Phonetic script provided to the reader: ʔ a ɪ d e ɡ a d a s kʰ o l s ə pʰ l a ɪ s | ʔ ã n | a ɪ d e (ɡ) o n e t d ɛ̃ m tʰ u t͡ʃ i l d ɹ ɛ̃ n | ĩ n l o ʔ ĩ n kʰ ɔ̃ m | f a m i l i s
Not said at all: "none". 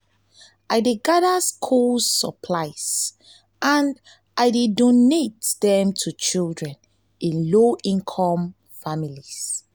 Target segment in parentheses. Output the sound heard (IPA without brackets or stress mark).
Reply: d